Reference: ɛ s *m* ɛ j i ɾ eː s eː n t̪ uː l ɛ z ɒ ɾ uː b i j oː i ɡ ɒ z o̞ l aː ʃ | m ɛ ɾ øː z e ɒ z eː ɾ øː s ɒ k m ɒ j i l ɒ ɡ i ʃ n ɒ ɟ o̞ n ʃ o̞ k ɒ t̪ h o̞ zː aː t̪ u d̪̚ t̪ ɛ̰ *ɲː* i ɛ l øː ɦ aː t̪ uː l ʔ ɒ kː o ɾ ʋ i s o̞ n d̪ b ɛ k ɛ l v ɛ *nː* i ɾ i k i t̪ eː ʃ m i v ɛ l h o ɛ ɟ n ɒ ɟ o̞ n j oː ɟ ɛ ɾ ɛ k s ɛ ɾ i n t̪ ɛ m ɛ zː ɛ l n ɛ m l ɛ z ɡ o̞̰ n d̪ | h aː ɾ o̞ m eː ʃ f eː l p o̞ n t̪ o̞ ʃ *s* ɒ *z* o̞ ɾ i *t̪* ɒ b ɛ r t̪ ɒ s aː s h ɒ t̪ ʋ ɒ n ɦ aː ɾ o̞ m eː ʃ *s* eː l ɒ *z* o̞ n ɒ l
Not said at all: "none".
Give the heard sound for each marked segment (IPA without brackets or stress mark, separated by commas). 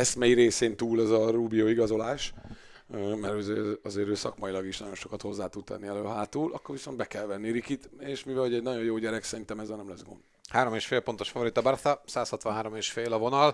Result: m, nː, nː, f, v, t̪, f, v